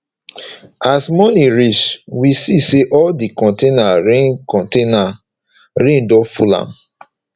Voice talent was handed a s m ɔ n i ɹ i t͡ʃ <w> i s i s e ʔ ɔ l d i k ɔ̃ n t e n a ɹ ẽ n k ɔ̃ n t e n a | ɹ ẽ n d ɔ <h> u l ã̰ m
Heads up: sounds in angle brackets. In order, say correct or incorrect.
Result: correct, incorrect: f

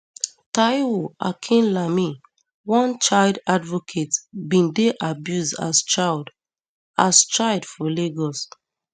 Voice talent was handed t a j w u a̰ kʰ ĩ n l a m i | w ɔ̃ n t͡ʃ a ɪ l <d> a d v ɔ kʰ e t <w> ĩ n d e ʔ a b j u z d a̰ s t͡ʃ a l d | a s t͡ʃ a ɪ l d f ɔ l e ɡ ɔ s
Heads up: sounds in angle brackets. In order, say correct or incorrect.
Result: correct, incorrect: b

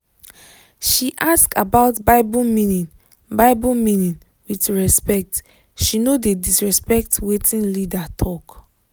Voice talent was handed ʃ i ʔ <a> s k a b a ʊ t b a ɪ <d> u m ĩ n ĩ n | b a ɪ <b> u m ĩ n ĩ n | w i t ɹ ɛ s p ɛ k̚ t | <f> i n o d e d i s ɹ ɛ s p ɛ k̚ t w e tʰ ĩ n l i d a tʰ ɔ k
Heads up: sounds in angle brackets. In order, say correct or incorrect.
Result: correct, incorrect: b, correct, incorrect: ʃ

